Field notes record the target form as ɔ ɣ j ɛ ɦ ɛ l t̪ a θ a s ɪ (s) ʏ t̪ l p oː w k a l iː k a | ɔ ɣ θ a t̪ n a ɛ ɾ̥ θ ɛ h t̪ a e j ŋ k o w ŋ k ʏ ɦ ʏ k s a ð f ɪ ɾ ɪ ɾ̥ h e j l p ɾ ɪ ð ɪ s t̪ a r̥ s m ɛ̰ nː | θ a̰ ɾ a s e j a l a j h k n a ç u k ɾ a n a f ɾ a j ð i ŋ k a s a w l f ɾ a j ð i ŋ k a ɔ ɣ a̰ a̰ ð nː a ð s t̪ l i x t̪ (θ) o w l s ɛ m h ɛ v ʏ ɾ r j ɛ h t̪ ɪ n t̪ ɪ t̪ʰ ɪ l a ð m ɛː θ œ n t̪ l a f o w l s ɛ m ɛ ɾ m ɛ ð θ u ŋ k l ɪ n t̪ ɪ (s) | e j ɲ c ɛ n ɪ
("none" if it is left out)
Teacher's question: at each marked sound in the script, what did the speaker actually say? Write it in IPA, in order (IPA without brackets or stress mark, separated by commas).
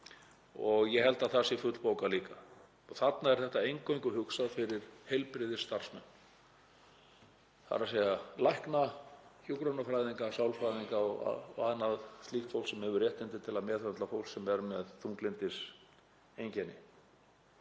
f, f, s